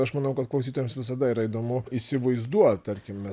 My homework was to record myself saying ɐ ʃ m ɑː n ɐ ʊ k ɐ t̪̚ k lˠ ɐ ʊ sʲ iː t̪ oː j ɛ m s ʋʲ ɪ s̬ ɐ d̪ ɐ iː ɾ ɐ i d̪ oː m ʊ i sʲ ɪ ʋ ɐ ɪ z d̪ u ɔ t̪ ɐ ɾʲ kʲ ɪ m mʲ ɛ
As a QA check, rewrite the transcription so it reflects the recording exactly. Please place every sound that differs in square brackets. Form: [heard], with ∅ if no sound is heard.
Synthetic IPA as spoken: ɐ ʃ m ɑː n ɐ ʊ k ɐ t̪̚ k lˠ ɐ ʊ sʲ iː t̪ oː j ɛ m s ʋʲ ɪ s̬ ɐ d̪ ɐ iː ɾ ɐ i d̪ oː m ʊ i sʲ ɪ ʋ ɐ ɪ z d̪ u ɔ t̪ ɐ ɾʲ kʲ ɪ m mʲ ɛ